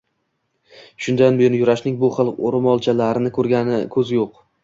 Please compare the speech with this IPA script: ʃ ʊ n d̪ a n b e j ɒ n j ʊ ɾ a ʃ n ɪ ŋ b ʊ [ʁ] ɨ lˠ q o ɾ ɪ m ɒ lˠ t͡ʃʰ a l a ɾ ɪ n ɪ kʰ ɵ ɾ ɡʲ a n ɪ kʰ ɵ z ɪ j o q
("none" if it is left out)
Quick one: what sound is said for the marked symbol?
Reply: χ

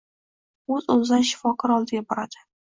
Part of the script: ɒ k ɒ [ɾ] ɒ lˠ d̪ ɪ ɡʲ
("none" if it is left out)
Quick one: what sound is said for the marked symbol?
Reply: ɾ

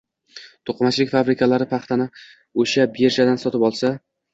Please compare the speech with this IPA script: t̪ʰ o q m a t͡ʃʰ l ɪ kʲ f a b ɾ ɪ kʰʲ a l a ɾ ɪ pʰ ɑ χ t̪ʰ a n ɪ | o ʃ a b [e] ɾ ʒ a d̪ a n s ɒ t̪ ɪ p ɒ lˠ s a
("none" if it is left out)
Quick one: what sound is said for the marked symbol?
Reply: e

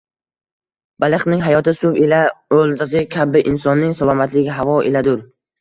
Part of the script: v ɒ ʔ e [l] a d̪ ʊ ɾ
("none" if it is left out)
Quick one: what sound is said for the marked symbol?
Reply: l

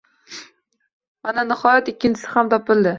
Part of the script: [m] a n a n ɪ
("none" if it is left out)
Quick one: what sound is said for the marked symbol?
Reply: m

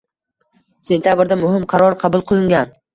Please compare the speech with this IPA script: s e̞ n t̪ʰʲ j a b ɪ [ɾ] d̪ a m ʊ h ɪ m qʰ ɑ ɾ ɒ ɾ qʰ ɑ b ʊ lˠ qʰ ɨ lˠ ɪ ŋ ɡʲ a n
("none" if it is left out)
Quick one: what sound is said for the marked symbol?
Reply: ɾ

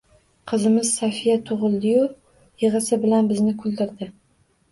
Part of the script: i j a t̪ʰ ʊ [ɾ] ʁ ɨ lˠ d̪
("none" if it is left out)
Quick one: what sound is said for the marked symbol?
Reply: none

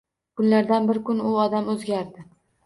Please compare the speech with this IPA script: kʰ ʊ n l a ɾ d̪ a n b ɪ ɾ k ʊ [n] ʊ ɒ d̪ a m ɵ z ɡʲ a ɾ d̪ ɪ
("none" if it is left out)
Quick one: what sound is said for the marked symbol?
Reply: n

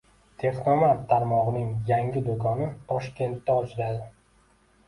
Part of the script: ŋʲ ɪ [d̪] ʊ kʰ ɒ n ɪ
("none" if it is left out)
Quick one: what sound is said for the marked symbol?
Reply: d̪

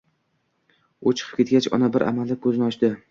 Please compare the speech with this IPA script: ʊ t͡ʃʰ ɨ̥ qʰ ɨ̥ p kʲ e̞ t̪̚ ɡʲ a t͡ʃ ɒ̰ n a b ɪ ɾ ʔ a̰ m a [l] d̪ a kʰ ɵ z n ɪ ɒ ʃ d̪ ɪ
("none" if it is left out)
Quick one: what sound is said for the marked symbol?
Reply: l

